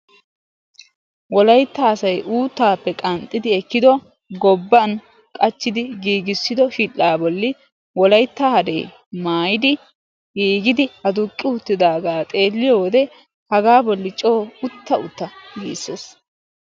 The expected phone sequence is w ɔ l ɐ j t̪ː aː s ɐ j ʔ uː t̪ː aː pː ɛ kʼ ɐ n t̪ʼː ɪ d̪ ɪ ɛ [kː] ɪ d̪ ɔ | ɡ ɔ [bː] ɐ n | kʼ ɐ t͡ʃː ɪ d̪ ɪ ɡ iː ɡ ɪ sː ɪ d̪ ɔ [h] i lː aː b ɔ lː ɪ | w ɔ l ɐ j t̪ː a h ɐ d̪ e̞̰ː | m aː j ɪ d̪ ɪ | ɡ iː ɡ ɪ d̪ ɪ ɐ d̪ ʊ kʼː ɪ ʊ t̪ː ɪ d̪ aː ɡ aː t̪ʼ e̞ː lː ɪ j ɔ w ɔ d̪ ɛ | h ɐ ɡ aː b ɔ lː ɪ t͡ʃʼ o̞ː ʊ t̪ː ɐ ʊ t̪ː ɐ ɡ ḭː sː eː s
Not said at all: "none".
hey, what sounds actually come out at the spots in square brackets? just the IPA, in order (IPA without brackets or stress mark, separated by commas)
kː, bː, ʃ